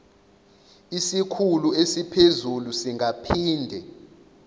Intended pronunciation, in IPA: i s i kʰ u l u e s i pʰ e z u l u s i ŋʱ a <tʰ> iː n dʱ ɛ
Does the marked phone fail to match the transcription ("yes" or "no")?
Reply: yes